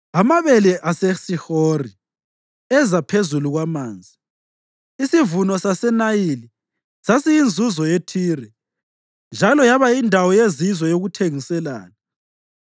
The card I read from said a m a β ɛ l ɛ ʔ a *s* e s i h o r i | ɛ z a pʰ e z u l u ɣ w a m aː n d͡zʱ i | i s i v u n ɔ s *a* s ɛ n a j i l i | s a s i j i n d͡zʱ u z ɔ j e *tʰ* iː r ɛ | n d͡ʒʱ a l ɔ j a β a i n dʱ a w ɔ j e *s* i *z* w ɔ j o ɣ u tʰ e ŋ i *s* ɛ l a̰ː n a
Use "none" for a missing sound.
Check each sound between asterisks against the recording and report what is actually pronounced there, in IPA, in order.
s, a, tʰ, z, z, s

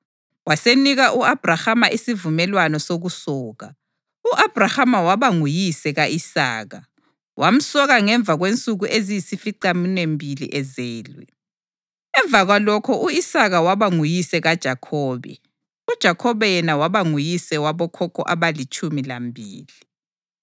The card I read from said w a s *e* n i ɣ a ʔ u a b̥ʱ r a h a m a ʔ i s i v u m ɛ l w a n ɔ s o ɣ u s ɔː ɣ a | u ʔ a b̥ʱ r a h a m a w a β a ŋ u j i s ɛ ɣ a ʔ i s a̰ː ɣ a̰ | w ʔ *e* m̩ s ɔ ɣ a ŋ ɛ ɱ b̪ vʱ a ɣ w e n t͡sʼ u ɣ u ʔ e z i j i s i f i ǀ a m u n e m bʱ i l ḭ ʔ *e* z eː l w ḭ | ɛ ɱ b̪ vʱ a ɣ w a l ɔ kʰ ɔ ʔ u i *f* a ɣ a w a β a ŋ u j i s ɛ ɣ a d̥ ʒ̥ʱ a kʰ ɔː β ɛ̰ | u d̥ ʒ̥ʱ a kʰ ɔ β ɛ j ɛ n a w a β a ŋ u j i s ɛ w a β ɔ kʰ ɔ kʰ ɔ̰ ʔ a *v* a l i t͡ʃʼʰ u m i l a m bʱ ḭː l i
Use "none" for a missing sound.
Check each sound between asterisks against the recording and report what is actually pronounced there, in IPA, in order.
e, a, ɛ, s, β

